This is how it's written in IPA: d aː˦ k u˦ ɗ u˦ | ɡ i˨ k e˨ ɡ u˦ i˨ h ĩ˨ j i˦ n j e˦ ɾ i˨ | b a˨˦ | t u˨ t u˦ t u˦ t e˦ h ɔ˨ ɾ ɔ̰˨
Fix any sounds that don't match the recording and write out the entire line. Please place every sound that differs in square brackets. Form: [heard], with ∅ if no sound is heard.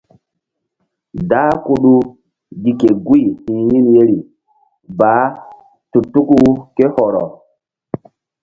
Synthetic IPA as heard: d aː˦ k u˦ ɗ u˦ | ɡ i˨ k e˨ ɡ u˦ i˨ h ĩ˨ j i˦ n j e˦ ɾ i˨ | b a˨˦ | t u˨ t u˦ [k] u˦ [k] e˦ h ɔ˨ ɾ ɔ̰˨